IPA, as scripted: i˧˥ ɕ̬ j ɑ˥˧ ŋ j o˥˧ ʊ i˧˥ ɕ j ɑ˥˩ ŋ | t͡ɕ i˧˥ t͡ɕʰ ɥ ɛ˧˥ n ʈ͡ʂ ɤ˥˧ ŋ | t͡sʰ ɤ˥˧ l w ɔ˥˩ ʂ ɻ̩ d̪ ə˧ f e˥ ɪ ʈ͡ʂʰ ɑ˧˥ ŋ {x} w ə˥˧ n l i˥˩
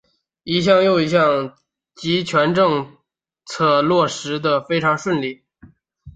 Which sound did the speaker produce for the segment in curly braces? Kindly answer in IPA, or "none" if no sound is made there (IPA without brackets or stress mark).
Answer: ʂ